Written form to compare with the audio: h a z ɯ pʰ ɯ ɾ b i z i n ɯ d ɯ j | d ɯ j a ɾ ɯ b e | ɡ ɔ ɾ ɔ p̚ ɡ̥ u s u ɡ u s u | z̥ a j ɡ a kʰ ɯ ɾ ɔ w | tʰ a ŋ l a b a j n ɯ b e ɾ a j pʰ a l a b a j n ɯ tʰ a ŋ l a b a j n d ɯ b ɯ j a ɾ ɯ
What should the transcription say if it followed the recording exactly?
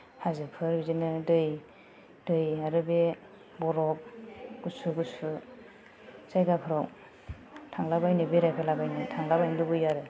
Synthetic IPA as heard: h a z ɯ pʰ ɯ ɾ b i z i n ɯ d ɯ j | d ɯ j a ɾ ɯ b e | b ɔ ɾ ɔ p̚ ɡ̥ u s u ɡ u s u | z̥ a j ɡ a pʰ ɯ ɾ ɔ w | tʰ a ŋ l a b a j n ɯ b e ɾ a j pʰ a l a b a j n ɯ tʰ a ŋ l a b a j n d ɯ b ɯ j a ɾ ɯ